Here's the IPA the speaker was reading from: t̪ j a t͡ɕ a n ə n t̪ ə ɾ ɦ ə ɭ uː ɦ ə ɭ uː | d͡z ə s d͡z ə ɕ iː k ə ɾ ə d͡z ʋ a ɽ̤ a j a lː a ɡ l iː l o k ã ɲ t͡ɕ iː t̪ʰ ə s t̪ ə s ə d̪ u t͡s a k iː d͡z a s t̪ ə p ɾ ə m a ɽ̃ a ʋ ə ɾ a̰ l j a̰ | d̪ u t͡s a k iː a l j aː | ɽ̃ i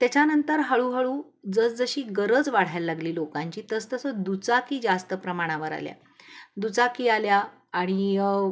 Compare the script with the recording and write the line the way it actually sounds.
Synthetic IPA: t̪ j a t͡ɕ a n ə n t̪ ə ɾ ɦ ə ɭ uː ɦ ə ɭ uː | d͡z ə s d͡z ə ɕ iː ɡ ə ɾ ə d͡z ʋ a ɽ̤ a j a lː a ɡ l iː l o k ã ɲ t͡ɕ iː t̪ ə s t̪ ə s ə d̪ u t͡s a k iː d͡z a s t̪ ə p ɾ ə m a ɽ̃ a ʋ ə ɾ a̰ l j a̰ | d̪ u t͡s a k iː a l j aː | ɽ̃ i